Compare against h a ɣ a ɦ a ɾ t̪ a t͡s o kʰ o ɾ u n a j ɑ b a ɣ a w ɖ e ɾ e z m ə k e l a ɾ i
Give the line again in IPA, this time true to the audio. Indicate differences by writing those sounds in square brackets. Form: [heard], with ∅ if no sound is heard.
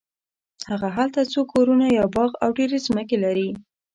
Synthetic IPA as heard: h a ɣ a ɦ a [l] t̪ a t͡s o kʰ o ɾ u n a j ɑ b [ɑ] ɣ a w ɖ e ɾ e z m ə k e l a ɾ i